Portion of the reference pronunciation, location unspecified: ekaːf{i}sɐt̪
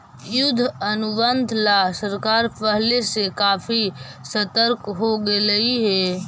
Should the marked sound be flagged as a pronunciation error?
no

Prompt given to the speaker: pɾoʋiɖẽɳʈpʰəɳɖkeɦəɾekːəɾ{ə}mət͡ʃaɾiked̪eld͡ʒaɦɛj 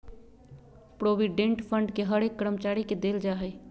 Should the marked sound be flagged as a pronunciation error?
no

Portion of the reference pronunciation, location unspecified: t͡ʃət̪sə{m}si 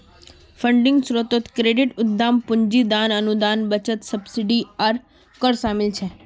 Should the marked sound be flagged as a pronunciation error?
yes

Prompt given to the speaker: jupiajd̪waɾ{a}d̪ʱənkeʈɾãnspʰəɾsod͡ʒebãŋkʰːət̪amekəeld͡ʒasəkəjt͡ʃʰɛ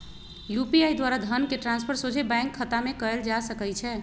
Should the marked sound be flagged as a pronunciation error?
no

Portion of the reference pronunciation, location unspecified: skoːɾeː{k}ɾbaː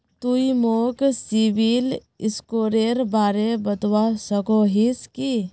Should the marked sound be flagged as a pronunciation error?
yes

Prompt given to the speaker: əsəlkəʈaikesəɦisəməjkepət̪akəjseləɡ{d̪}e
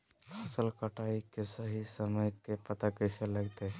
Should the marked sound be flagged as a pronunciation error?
yes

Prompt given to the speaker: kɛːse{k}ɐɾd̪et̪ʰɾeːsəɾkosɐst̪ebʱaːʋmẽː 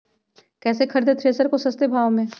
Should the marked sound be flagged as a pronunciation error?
yes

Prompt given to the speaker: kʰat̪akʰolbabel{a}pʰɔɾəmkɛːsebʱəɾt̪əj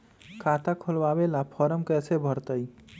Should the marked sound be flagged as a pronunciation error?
no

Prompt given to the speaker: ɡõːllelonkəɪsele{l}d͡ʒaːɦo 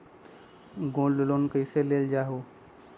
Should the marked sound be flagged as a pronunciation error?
no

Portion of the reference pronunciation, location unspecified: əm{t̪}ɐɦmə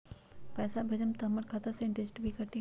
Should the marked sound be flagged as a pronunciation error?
no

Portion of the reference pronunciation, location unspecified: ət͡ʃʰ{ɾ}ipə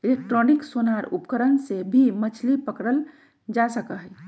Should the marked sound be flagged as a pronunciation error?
yes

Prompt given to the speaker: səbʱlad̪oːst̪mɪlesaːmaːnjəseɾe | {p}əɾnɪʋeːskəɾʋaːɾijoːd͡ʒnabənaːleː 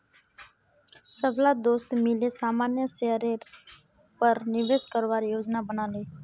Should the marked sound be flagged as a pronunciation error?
no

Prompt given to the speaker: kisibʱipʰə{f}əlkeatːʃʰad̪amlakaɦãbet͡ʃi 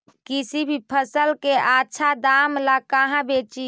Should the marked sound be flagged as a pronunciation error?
yes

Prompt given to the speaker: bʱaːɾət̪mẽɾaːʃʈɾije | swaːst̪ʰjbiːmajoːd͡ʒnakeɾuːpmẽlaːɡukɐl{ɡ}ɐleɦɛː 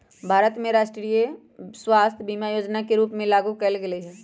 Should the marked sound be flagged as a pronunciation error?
no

